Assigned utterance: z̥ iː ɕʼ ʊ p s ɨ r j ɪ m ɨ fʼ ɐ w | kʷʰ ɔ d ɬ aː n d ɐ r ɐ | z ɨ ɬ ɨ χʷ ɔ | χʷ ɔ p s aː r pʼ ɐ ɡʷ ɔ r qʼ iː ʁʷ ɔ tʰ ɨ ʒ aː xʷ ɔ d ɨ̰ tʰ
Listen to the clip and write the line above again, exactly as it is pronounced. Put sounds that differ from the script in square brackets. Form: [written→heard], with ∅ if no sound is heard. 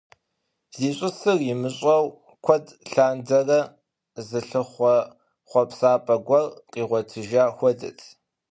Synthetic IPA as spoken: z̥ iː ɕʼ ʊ [p→∅] s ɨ r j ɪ m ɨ [fʼ→ɕʼ] ɐ w | kʷʰ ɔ d ɬ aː n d ɐ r ɐ | z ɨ ɬ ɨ χʷ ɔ | χʷ ɔ p s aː [r→∅] pʼ ɐ ɡʷ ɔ r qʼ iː ʁʷ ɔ tʰ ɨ ʒ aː xʷ ɔ d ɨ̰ tʰ